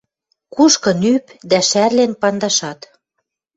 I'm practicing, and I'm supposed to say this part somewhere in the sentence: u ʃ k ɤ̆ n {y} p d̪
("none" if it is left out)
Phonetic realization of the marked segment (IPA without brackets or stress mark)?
y